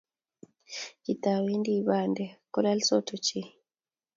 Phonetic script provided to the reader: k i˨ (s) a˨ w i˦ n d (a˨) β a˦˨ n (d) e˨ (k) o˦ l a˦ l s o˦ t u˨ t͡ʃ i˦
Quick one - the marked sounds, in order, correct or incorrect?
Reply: incorrect, incorrect, correct, correct

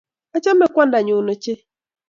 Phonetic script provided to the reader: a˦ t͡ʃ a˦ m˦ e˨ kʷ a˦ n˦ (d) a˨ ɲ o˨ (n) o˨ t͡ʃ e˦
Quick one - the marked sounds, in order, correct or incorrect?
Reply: correct, correct

